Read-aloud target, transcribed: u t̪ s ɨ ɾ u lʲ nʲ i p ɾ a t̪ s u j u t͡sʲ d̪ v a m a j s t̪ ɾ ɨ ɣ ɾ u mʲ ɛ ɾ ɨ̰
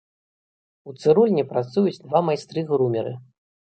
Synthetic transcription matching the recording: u t̪ s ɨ ɾ u lʲ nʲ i p ɾ a t̪ s u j u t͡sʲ d̪ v a m a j s t̪ ɾ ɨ ɣ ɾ u mʲ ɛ ɾ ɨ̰

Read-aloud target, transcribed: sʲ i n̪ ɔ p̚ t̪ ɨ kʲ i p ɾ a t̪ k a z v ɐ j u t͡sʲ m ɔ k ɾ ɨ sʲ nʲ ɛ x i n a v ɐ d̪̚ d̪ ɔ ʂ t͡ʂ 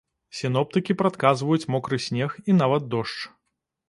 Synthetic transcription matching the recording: sʲ i n̪ ɔ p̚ t̪ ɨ kʲ i p ɾ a t̪ k a z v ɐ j u t͡sʲ m ɔ k ɾ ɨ sʲ nʲ ɛ x i n a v ɐ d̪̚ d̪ ɔ ʂ t͡ʂ

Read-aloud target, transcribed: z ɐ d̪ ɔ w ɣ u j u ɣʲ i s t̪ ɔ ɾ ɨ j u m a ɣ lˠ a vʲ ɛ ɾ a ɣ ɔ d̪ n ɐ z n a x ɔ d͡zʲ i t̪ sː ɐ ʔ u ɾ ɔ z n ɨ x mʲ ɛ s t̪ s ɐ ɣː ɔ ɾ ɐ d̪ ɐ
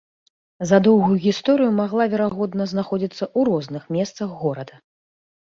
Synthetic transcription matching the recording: z ɐ d̪ ɔ w ɣ u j u ɣʲ i s t̪ ɔ ɾ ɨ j u m a ɣ lˠ a vʲ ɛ ɾ a ɣ ɔ d̪ n ɐ z n a x ɔ d͡zʲ i t̪ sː ɐ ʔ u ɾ ɔ z n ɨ x mʲ ɛ s t̪ s ɐ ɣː ɔ ɾ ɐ d̪ ɐ

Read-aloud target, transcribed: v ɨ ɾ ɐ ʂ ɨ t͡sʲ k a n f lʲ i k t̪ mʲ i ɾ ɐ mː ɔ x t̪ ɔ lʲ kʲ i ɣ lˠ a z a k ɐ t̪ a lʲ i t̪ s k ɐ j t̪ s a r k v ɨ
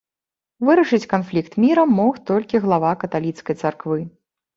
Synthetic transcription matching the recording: v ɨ ɾ ɐ ʂ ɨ t͡sʲ k a n f lʲ i k t̪ mʲ i ɾ ɐ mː ɔ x t̪ ɔ lʲ kʲ i ɣ lˠ a v a k ɐ t̪ a lʲ i t̪ s k ɐ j t̪ s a r k v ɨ

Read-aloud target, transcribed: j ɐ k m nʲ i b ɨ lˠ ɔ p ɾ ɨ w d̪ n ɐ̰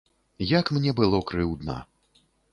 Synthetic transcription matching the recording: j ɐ k m nʲ ɛ b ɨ lˠ ɔ k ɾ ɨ w d̪ n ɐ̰

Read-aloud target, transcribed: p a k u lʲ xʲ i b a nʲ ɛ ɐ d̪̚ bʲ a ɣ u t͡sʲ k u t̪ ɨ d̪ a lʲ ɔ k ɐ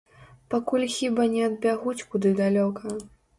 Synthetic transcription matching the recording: p a k u lʲ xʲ i b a nʲ ɛ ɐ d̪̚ bʲ a ɣ u t͡sʲ k u d̪ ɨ d̪ a lʲ ɔ k ɐ

